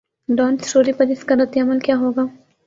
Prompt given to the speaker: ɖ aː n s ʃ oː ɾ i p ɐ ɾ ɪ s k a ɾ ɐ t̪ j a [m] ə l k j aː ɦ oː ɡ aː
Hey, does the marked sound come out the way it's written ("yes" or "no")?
yes